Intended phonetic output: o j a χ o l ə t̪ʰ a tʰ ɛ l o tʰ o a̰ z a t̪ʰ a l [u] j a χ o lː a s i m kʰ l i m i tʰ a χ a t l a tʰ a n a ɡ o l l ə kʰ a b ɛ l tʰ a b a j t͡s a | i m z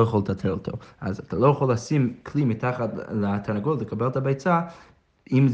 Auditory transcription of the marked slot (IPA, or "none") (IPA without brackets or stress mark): o